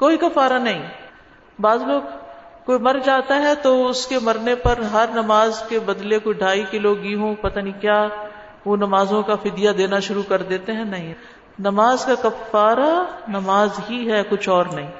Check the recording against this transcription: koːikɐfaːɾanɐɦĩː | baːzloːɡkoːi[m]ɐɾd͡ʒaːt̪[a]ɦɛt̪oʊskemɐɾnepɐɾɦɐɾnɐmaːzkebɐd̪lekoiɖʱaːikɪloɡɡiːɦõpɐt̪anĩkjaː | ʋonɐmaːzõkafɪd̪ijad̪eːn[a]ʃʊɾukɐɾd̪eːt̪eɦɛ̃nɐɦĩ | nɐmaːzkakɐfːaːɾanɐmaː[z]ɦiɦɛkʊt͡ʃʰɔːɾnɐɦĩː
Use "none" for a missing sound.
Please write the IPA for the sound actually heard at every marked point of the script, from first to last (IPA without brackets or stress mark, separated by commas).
m, a, a, z